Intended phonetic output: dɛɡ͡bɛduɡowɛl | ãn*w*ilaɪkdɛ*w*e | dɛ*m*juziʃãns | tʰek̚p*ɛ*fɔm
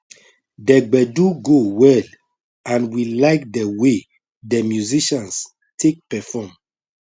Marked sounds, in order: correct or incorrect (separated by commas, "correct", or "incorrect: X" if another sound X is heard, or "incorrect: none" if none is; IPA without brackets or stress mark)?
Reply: correct, correct, correct, correct